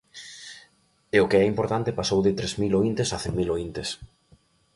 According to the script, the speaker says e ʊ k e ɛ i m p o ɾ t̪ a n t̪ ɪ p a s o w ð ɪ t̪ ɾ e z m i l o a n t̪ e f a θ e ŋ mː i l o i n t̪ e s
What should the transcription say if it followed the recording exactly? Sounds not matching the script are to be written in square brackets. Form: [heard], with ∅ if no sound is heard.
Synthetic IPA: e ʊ k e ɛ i m p o ɾ t̪ a n t̪ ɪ p a s o w ð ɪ t̪ ɾ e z m i l o [i] n t̪ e [s] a θ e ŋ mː i l o i n t̪ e s